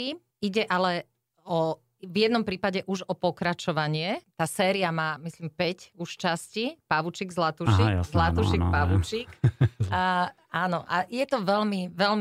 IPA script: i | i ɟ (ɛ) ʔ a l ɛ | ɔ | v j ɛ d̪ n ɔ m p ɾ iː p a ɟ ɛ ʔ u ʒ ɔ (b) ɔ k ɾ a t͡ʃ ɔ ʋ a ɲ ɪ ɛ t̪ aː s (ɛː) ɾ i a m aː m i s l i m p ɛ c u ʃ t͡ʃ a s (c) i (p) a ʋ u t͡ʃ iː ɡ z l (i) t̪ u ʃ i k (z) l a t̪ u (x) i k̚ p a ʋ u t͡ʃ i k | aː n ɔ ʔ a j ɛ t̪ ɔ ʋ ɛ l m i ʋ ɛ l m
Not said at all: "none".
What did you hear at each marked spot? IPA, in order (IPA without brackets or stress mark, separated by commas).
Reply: ɛ, p, ɛː, c, p, a, z, ʃ